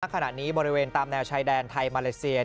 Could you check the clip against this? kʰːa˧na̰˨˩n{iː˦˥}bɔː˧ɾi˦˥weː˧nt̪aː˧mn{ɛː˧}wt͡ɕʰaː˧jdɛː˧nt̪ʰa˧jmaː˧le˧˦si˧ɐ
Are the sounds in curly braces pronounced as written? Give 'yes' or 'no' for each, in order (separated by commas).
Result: yes, yes